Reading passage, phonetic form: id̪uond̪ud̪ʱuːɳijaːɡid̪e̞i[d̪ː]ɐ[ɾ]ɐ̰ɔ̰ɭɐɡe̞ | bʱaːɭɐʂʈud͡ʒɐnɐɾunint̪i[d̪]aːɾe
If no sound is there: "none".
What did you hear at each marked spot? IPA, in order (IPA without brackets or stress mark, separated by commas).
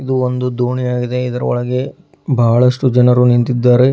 d̪, ɾ, d̪ː